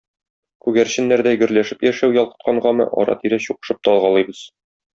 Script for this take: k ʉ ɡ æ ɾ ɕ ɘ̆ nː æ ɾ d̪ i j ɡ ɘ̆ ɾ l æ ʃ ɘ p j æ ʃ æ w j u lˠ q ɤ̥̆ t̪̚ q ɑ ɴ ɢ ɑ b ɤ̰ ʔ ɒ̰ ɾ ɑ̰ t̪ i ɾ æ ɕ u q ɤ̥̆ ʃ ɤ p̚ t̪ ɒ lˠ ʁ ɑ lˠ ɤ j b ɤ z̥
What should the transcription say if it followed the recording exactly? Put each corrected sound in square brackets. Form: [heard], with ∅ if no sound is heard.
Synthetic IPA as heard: k ʉ ɡ æ ɾ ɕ ɘ̆ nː æ ɾ d̪ [æ] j ɡ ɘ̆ ɾ l æ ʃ ɘ p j æ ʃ æ w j [ɒ] lˠ q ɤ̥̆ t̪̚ q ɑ ɴ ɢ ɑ [m] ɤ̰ ʔ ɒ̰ ɾ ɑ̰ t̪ i ɾ æ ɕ u q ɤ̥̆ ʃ ɤ p̚ t̪ ɒ lˠ ʁ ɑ lˠ ɤ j b ɤ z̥

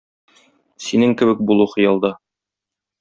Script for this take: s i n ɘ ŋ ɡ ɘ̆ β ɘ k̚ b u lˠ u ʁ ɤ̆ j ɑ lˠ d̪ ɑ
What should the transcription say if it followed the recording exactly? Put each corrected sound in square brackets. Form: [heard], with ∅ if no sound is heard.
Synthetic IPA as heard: s i n ɘ ŋ [k] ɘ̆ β ɘ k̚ b u lˠ u [χ] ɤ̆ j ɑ lˠ d̪ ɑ

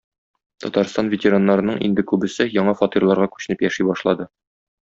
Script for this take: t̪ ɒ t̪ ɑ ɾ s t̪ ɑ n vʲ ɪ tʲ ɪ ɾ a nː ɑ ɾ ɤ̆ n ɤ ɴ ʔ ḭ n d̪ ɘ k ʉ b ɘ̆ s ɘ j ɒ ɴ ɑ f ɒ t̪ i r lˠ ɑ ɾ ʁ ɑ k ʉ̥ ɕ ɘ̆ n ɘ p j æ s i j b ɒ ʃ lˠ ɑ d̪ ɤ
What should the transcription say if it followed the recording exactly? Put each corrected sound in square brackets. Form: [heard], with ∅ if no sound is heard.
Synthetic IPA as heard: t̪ ɒ t̪ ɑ ɾ s t̪ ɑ n vʲ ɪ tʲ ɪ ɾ a nː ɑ ɾ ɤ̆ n ɤ ɴ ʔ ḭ n d̪ ɘ k ʉ b ɘ̆ s ɘ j ɒ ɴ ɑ f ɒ t̪ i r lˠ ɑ ɾ ʁ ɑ k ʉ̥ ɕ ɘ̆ n ɘ p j æ [ʃ] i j b ɒ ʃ lˠ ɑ d̪ ɤ

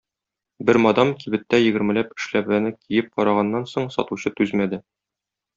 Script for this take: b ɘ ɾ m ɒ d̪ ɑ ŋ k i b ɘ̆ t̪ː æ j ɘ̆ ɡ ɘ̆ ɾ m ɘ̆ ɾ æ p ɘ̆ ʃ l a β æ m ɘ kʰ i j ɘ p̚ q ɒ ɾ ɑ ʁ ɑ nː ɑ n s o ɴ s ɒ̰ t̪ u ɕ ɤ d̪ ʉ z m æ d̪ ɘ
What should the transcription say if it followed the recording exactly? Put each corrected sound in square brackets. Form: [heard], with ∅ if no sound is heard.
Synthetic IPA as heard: b ɘ ɾ m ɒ d̪ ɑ [m] k i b ɘ̆ t̪ː æ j ɘ̆ ɡ ɘ̆ ɾ m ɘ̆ [l] æ p ɘ̆ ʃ l [æ] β æ [n] ɘ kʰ i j ɘ p̚ q ɒ ɾ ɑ ʁ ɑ nː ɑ n s o ɴ s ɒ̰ t̪ u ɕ ɤ [t̪] ʉ z m æ d̪ ɘ

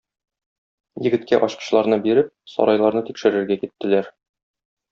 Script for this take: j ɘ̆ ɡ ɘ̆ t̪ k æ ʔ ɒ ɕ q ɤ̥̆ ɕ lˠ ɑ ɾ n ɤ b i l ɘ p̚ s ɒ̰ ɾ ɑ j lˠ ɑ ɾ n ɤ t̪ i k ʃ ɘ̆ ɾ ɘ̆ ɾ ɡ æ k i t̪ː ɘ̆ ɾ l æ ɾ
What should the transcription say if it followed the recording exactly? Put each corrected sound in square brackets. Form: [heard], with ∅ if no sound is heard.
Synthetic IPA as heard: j ɘ̆ ɡ ɘ̆ t̪ k æ ʔ ɒ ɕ q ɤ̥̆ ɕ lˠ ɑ ɾ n ɤ b i [ɾ] ɘ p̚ s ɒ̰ ɾ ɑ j lˠ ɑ ɾ n ɤ t̪ i k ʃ ɘ̆ ɾ ɘ̆ ɾ ɡ æ k i t̪ː ɘ̆ [∅] l æ ɾ

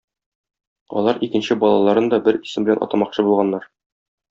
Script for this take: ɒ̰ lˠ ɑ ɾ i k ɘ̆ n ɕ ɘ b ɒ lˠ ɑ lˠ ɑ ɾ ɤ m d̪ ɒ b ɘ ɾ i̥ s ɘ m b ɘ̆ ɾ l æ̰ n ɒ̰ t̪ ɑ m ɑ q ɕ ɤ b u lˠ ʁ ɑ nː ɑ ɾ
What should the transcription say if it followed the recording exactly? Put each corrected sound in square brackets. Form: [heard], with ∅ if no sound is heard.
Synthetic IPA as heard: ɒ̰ lˠ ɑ ɾ i k ɘ̆ n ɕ ɘ b ɒ lˠ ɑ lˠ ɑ ɾ ɤ [n] d̪ ɒ b ɘ ɾ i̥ s ɘ m b ɘ̆ [∅] l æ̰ n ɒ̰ t̪ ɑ m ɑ q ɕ ɤ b u lˠ ʁ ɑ nː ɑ ɾ

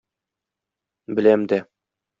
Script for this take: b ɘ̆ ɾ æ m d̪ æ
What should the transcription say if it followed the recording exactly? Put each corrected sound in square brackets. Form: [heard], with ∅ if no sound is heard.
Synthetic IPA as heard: b ɘ̆ [l] æ m d̪ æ

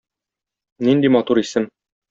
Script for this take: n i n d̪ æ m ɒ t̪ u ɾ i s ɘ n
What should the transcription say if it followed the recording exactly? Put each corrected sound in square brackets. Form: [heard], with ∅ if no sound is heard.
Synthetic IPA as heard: n i n d̪ [i] m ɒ t̪ u ɾ i s ɘ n

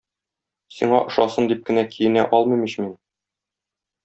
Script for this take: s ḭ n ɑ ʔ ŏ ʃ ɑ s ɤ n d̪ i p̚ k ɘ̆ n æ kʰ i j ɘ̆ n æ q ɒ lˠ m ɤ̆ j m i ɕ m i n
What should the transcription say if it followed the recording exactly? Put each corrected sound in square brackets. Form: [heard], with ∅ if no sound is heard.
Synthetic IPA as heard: s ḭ [ɴ] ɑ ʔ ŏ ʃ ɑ s ɤ n d̪ i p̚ k ɘ̆ n æ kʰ i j ɘ̆ n æ [ʔ] ɒ lˠ m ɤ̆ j m i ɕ m i n

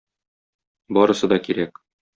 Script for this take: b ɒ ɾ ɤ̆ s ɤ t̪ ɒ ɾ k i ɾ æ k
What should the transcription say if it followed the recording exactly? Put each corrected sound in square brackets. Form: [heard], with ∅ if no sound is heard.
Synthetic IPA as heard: b ɒ ɾ ɤ̆ s ɤ [d̪] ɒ [∅] k i ɾ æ k

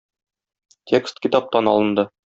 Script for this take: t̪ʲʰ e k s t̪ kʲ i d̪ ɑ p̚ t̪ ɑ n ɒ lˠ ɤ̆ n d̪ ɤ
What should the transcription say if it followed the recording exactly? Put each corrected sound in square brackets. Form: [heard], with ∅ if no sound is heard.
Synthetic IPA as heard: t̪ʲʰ e k s t̪ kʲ i [t̪] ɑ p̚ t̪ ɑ n ɒ lˠ ɤ̆ n d̪ ɤ

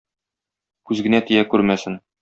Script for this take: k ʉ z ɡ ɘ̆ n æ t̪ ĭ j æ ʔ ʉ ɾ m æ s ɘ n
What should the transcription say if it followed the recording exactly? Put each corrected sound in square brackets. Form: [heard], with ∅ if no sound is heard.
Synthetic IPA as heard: k ʉ z ɡ ɘ̆ n æ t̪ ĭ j æ [k] ʉ ɾ m æ s ɘ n

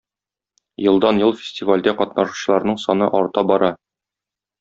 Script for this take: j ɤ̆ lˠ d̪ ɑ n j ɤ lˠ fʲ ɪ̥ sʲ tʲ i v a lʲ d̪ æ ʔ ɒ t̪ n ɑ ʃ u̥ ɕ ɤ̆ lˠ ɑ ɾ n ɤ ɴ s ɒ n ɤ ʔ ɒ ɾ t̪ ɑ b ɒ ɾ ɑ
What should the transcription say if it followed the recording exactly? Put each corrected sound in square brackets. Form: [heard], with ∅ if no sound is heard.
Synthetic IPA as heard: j ɤ̆ lˠ d̪ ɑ n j ɤ lˠ fʲ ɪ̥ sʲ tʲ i v a lʲ d̪ æ [q] ɒ t̪ n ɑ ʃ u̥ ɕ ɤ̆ lˠ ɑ ɾ n ɤ ɴ s ɒ n ɤ ʔ ɒ ɾ t̪ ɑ b ɒ ɾ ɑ

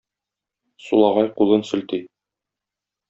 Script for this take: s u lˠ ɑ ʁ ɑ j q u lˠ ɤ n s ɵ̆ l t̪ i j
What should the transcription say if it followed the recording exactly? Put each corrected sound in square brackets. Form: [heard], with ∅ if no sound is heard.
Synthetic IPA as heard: s u lˠ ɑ ʁ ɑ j q u lˠ ɤ n s ɵ̆ l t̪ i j

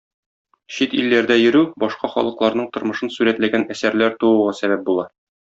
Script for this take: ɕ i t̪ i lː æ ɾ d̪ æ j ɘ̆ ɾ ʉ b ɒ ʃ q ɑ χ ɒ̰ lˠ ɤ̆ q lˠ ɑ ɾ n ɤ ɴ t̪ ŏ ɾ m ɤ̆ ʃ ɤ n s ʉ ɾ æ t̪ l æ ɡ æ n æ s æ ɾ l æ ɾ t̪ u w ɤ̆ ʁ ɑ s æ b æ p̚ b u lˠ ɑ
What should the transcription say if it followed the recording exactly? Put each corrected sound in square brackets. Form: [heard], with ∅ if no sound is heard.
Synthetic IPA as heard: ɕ i t̪ i lː æ ɾ d̪ æ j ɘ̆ ɾ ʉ b ɒ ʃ q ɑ χ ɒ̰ lˠ ɤ̆ q lˠ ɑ ɾ n ɤ ɴ t̪ ŏ ɾ m ɤ̆ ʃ ɤ n s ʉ ɾ æ t̪ l æ ɡ æ n æ s æ ɾ l æ ɾ t̪ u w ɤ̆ ʁ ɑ s æ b æ p̚ b u lˠ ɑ

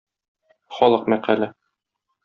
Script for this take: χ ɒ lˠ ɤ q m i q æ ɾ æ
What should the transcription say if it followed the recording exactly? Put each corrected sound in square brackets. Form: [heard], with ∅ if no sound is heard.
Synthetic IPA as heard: χ ɒ lˠ ɤ q m [æ] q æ [l] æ

